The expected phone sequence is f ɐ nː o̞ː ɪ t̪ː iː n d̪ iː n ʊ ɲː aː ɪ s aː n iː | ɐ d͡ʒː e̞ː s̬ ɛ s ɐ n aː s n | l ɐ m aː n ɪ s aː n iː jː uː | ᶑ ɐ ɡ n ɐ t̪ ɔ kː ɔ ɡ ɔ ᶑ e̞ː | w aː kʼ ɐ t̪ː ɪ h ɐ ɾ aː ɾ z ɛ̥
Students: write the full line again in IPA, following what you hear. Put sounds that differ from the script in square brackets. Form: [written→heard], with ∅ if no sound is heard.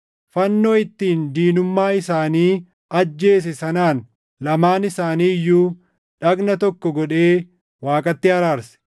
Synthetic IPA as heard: f ɐ nː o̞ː ɪ t̪ː iː n d̪ iː n ʊ [ɲː→mː] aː ɪ s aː n iː | ɐ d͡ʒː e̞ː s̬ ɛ s ɐ n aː [s→∅] n | l ɐ m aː n ɪ s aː n iː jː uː | ᶑ ɐ ɡ n ɐ t̪ ɔ kː ɔ ɡ ɔ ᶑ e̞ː | w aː kʼ ɐ t̪ː ɪ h ɐ ɾ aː ɾ [z→s] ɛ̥